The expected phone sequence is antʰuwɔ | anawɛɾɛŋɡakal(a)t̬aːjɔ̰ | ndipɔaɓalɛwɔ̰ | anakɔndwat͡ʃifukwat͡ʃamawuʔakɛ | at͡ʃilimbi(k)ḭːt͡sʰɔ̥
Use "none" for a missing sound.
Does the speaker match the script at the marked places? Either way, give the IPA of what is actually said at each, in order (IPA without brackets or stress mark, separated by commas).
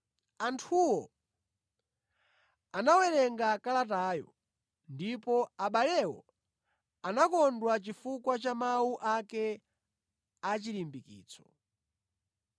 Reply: a, k